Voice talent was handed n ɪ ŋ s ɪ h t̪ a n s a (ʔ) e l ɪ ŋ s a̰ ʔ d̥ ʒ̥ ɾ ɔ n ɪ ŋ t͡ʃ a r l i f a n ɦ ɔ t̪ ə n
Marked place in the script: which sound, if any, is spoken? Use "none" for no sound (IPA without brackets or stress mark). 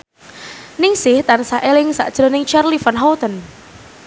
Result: ʔ